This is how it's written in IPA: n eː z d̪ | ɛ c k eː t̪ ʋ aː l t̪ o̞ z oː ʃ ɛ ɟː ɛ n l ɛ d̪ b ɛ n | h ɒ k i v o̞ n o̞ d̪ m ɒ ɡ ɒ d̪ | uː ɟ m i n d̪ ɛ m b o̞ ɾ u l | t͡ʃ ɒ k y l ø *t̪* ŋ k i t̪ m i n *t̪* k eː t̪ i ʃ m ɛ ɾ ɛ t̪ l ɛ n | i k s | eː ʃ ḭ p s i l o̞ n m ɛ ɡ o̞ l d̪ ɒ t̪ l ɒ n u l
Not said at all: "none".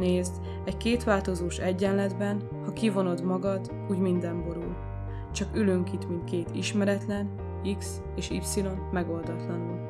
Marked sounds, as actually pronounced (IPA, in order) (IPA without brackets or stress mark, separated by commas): none, t̪